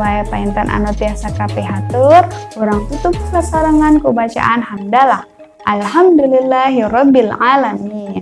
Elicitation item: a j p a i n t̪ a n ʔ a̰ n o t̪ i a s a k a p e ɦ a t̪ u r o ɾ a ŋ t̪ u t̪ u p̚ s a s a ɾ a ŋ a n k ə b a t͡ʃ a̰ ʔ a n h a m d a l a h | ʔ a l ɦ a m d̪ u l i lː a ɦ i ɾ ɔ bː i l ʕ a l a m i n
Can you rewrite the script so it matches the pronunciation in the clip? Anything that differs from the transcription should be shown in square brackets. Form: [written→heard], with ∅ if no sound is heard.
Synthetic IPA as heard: a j p a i n t̪ a n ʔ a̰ n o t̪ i a s a k a p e ɦ a t̪ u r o ɾ a ŋ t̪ u t̪ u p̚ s a s a ɾ a ŋ a n k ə b a t͡ʃ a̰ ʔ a n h a m d a l a h | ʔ a l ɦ a m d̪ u l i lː a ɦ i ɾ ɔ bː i l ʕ a l a m i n